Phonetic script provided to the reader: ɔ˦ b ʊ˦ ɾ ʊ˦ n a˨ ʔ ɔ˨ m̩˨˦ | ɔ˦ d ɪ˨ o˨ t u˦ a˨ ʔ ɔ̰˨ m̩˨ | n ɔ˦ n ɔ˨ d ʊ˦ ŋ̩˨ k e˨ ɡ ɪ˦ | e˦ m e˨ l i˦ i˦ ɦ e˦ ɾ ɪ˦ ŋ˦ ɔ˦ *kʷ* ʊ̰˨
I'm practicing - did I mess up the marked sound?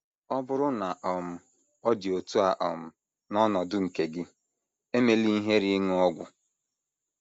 yes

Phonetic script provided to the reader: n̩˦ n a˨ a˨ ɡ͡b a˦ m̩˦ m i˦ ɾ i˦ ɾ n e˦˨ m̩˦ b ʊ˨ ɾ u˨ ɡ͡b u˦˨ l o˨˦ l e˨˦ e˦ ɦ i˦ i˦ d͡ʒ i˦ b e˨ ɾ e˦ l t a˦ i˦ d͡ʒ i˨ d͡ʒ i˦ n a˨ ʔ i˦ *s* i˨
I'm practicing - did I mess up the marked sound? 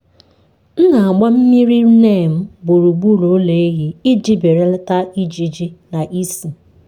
no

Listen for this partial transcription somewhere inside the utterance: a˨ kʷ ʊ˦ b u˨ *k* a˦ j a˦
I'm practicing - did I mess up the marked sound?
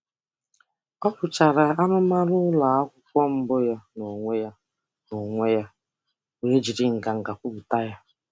yes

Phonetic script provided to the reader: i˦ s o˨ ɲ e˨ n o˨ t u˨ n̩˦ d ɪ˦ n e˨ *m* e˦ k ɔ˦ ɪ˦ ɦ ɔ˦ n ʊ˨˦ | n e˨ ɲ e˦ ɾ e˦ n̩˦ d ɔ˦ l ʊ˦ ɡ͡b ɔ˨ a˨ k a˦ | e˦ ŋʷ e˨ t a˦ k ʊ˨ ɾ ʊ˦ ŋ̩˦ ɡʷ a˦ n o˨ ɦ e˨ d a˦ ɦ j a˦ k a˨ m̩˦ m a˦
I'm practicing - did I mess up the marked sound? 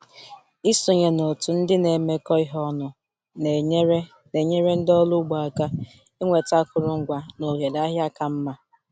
no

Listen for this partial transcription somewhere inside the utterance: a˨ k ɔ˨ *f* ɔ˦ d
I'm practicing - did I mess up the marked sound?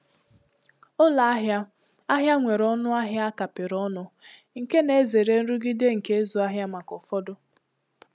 no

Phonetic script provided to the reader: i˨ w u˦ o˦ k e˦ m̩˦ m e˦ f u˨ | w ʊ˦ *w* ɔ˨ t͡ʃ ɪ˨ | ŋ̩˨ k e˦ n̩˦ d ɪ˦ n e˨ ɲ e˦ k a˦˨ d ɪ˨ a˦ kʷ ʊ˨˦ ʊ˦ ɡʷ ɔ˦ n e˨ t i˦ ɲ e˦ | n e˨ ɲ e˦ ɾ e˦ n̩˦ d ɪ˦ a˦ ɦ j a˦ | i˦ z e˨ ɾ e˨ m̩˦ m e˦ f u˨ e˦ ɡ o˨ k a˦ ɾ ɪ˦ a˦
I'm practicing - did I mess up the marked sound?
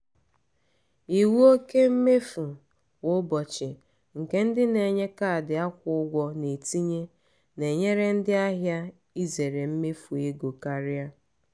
yes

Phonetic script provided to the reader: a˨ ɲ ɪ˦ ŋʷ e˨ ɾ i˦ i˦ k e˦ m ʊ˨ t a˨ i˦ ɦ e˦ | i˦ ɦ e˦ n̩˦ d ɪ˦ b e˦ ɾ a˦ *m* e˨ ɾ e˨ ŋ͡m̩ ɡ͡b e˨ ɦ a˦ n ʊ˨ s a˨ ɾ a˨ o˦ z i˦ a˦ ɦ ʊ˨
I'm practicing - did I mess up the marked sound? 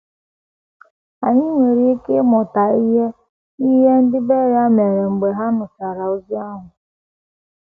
no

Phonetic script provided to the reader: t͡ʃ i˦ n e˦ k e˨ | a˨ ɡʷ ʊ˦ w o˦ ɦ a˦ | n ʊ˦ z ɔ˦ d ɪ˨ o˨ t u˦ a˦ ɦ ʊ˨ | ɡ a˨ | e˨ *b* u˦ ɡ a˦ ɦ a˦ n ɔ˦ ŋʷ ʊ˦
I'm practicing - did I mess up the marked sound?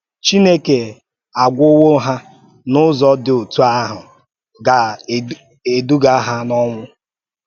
yes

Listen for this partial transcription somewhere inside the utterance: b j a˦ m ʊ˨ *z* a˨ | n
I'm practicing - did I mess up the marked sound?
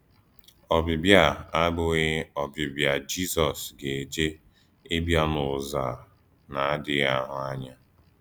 no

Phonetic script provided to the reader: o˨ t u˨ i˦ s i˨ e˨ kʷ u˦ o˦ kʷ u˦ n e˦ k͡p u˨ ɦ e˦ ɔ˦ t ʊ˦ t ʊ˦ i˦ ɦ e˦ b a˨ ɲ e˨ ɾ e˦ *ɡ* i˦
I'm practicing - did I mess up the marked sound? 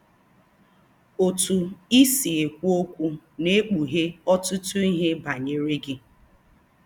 no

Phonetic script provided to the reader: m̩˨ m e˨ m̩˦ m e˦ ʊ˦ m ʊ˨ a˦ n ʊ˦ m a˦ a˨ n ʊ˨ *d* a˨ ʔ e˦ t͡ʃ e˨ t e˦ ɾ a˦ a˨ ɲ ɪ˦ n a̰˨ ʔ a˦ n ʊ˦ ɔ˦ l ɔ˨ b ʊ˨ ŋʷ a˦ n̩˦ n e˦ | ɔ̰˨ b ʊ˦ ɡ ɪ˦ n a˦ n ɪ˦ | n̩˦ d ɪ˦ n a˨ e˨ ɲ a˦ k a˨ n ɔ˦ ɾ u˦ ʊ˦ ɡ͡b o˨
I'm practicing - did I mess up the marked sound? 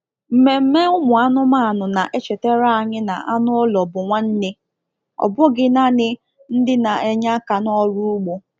yes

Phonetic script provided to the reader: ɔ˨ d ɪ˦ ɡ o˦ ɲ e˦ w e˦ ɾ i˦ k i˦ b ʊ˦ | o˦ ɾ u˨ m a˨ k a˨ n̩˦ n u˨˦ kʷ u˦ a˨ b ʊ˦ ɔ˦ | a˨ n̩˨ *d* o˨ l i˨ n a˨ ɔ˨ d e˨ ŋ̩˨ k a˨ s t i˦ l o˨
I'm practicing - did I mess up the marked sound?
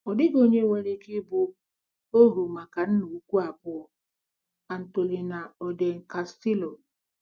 yes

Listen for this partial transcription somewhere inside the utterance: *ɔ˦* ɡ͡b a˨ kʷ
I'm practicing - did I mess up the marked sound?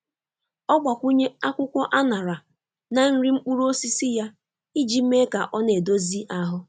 no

